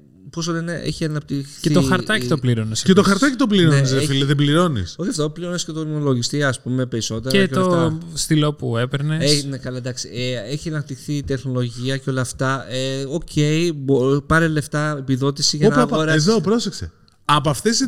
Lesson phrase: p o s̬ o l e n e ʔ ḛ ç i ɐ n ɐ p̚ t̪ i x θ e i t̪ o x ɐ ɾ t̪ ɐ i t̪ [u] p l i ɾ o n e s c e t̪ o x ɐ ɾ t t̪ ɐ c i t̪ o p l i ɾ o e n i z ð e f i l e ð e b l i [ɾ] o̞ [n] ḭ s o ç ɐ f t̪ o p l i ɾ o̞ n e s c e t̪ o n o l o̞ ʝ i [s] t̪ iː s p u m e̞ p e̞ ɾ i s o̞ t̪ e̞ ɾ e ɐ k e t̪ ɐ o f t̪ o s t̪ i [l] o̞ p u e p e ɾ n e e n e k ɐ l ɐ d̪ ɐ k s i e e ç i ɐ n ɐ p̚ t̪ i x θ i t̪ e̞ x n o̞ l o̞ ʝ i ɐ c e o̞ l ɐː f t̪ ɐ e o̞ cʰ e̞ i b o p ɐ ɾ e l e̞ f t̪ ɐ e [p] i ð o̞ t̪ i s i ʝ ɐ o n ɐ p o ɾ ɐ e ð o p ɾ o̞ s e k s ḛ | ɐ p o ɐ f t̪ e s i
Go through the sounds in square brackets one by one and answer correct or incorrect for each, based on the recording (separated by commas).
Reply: incorrect, correct, correct, correct, correct, correct